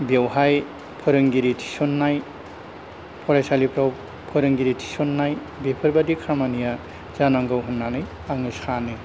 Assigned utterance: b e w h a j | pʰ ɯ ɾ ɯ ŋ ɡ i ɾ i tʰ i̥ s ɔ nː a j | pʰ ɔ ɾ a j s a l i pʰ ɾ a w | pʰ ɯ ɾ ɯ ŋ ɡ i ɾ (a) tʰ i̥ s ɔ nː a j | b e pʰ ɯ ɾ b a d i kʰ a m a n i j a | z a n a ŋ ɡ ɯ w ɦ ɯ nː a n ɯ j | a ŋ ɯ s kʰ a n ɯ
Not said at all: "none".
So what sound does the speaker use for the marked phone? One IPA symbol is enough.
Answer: i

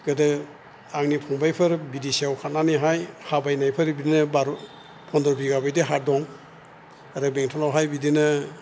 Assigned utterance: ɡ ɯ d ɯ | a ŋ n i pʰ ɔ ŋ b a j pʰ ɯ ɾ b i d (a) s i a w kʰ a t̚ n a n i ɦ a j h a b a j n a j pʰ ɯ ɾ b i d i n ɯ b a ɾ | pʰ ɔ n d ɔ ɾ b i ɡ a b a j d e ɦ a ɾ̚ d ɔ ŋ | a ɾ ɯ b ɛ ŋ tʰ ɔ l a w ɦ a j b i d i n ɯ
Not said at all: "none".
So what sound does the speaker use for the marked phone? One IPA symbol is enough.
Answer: i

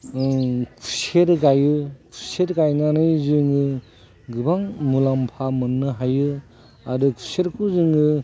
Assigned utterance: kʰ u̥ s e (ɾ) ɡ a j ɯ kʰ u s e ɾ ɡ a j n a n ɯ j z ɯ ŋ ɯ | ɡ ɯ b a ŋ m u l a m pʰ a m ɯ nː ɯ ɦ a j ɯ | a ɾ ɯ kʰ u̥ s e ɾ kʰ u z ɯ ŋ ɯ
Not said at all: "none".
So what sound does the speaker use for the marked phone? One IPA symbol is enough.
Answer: ɾ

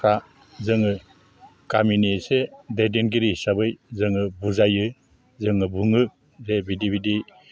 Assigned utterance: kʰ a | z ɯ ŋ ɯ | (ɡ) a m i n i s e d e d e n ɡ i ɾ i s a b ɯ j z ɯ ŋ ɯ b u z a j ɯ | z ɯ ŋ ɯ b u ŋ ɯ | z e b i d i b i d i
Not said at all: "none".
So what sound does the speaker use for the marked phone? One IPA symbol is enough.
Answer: k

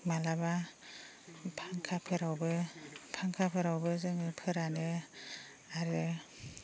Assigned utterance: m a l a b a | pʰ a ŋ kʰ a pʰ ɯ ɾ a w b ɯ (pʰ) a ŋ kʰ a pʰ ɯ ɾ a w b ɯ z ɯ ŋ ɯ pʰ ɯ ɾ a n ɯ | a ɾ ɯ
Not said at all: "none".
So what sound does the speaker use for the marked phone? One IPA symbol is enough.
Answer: pʰ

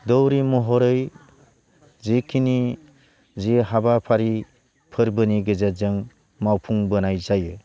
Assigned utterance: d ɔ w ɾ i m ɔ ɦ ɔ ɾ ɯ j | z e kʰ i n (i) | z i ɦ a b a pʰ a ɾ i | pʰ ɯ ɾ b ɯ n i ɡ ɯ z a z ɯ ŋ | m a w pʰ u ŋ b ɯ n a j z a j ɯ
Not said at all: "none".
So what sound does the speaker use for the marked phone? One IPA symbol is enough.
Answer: i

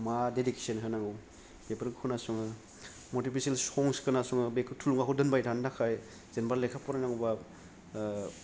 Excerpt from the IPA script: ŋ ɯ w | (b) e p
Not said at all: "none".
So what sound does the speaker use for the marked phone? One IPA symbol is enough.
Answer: b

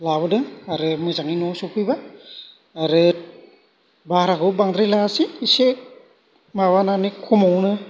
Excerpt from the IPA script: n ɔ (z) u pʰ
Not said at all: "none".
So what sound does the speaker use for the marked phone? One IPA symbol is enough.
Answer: s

